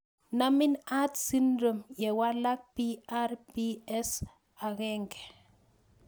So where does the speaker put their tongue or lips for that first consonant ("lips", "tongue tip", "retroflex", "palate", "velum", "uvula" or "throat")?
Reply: tongue tip